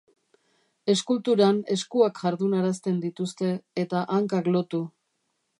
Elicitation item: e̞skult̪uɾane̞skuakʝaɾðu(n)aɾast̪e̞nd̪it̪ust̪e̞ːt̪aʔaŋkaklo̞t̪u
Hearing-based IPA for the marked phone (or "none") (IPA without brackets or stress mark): n